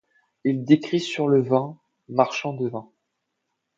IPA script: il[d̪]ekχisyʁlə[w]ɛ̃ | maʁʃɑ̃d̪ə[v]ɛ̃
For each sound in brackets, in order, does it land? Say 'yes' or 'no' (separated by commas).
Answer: yes, no, yes